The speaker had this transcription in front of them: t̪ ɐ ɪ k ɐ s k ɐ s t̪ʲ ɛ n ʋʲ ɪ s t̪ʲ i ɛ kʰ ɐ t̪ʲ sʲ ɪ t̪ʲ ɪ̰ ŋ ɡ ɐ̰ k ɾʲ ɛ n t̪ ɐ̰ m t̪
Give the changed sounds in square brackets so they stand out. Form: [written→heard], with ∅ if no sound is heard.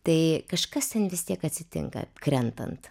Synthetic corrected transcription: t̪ ɐ ɪ k ɐ [s→ʃ] k ɐ s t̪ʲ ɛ n ʋʲ ɪ s t̪ʲ i ɛ [kʰ→k] ɐ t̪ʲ sʲ ɪ t̪ʲ ɪ̰ ŋ [ɡ→k] ɐ̰ k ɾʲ ɛ n t̪ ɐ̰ [m→n] t̪